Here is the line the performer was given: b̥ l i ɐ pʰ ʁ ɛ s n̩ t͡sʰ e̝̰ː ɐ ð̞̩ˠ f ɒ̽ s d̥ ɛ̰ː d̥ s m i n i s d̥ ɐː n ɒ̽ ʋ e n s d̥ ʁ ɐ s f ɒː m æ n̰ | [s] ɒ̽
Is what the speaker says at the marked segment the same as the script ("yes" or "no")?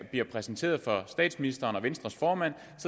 yes